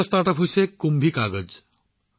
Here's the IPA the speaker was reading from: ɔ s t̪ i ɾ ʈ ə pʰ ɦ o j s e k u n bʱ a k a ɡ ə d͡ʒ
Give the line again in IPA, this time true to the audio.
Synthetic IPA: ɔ s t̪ a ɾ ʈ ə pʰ ɦ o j s e k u m bʱ i k a ɡ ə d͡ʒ